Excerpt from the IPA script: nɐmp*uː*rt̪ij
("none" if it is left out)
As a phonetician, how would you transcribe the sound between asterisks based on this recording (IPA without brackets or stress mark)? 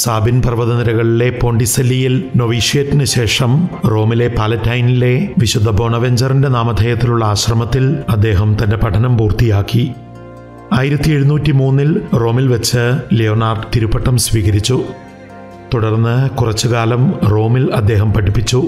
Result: uː